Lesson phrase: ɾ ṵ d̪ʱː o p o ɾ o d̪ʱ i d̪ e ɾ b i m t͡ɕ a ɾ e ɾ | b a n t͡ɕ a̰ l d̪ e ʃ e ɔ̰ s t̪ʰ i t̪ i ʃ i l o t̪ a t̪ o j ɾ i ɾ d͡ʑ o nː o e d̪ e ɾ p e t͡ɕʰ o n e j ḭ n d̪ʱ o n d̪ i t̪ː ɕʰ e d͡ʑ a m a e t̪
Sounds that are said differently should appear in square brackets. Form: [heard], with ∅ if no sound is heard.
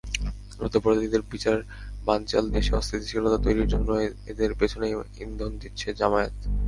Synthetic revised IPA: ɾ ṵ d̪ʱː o p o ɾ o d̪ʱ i d̪ e ɾ b i [∅] t͡ɕ a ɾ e ɾ | b a n t͡ɕ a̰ l d̪ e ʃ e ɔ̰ s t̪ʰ i t̪ i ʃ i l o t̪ a t̪ o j ɾ i ɾ d͡ʑ o nː o e d̪ e ɾ p e t͡ɕʰ o n e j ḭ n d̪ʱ o n d̪ i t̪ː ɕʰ e d͡ʑ a m a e t̪